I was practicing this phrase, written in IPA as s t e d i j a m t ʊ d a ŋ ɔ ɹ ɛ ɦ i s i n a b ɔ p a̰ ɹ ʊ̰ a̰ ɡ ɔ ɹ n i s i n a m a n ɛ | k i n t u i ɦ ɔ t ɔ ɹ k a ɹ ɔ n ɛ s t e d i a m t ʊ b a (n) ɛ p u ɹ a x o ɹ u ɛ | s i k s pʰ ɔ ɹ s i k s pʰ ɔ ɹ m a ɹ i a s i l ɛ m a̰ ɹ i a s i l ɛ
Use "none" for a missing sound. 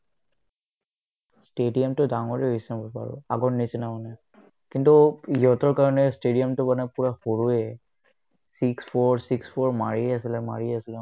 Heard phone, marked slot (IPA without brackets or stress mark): n